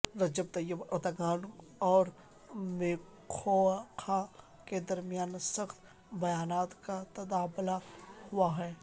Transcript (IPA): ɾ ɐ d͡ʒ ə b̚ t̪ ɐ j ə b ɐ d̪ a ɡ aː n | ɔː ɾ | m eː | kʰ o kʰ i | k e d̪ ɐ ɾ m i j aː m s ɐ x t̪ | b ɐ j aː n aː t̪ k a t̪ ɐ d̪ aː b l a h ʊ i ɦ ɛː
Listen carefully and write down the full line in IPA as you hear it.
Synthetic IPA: ɾ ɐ d͡ʒ ə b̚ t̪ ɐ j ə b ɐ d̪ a ɡ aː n | ɔː ɾ | m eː | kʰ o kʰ a | k e d̪ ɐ ɾ m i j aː n s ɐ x t̪ | b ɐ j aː n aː t̪ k a t̪ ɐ d̪ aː b l a h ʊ a ɦ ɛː